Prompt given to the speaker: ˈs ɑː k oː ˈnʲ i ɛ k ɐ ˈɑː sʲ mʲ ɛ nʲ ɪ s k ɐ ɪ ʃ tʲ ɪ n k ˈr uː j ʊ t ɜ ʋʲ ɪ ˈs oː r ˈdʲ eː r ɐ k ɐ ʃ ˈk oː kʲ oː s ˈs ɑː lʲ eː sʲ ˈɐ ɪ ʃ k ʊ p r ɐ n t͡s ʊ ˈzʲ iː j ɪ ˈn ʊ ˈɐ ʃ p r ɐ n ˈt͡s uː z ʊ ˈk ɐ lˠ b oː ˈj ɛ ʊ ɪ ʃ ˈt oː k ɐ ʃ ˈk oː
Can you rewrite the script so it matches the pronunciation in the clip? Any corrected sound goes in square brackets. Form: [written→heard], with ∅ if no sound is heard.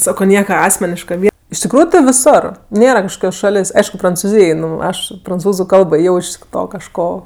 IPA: ˈs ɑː k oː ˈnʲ i ɛ k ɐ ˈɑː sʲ mʲ ɛ nʲ ɪ [s→ʃ] k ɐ ɪ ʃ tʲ ɪ [n→∅] k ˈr uː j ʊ t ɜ ʋʲ ɪ ˈs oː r [ˈdʲ→ˈnʲ] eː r ɐ k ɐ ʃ ˈk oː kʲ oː s [ˈs→ˈʃ] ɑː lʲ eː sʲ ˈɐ ɪ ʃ k ʊ p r ɐ n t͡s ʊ ˈzʲ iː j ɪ ˈn ʊ ˈɐ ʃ p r ɐ n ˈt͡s uː z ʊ ˈk ɐ lˠ b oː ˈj ɛ ʊ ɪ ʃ ˈt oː k ɐ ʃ ˈk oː